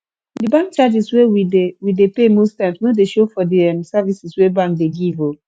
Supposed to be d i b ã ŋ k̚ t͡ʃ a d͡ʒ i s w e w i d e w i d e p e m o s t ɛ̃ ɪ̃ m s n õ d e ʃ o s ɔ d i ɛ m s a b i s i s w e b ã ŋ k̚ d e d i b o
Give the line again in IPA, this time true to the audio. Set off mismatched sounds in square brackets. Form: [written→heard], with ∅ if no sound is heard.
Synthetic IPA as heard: d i b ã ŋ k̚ t͡ʃ a d͡ʒ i s w e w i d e w i d e p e m o s t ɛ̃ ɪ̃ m s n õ d e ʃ o [s→f] ɔ d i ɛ m s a [b→v] i s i s w e b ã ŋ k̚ d e [d→ɡ] i [b→v] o